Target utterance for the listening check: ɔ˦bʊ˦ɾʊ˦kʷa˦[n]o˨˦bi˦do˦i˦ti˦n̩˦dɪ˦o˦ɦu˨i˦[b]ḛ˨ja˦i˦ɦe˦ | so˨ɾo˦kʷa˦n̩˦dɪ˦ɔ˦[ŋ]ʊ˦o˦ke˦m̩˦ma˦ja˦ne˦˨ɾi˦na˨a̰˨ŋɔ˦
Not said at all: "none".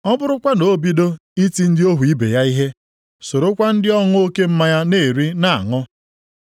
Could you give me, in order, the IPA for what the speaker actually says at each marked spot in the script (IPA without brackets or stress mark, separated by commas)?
n, b, ŋ